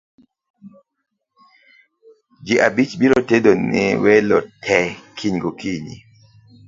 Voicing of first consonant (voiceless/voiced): voiced